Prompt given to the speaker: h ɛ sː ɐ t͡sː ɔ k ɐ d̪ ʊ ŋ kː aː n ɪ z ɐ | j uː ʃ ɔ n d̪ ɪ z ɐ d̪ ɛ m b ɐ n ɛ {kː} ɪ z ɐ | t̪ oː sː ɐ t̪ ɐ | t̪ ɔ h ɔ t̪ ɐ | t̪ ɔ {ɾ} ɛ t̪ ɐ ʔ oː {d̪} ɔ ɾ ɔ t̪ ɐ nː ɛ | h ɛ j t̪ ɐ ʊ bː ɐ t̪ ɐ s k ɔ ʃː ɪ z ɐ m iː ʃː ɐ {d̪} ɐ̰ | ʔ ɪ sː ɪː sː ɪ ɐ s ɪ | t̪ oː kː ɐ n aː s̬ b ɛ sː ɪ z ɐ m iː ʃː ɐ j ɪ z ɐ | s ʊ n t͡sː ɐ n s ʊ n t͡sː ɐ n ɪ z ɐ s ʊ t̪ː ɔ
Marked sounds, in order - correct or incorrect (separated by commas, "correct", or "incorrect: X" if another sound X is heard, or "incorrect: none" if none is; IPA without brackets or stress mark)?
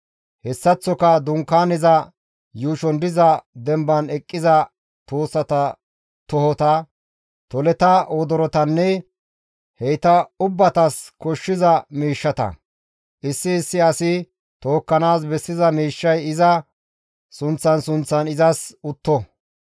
incorrect: kʼː, incorrect: l, correct, incorrect: t̪